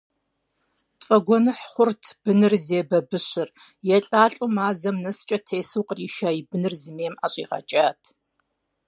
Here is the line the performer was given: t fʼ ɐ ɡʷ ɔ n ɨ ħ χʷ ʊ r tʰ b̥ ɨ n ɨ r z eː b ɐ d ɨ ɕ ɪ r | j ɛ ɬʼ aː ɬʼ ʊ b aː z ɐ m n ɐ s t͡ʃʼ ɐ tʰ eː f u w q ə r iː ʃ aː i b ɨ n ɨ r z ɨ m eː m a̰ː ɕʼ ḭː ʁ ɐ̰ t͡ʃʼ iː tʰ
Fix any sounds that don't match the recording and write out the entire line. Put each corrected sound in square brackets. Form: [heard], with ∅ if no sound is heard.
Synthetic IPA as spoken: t fʼ ɐ ɡʷ ɔ n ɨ ħ χʷ ʊ r tʰ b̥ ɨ n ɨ r z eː b ɐ [b] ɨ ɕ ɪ r | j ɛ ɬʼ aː ɬʼ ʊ [m] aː z ɐ m n ɐ s t͡ʃʼ ɐ tʰ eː [s] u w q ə r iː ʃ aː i b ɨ n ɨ r z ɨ m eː m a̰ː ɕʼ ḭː ʁ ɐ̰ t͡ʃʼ [aː] tʰ